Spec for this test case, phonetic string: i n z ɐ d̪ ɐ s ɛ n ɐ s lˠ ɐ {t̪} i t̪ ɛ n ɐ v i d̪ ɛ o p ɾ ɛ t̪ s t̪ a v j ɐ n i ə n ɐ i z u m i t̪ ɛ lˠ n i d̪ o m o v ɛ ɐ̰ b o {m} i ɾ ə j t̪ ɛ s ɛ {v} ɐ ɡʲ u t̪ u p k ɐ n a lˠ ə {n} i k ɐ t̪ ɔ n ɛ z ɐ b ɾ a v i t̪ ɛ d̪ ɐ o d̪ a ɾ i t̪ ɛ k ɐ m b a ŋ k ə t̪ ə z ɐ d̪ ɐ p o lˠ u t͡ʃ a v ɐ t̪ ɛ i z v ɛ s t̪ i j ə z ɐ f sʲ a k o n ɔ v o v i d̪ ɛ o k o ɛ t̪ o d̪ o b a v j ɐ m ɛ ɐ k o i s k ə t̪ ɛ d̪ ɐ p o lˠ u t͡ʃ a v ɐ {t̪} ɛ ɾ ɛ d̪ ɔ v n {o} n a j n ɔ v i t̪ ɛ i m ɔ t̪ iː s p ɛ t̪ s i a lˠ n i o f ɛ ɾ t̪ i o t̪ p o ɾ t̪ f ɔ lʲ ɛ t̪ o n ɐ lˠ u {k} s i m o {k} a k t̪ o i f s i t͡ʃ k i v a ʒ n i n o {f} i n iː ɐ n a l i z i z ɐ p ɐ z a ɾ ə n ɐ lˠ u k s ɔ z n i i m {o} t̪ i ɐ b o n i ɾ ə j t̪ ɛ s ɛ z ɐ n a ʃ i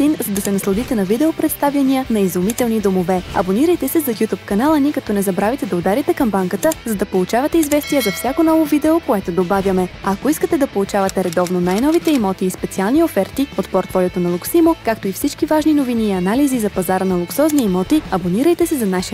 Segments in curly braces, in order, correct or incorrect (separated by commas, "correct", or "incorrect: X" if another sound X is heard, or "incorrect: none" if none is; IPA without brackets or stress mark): incorrect: d̪, incorrect: n, incorrect: z, correct, correct, correct, correct, correct, incorrect: v, incorrect: ɔ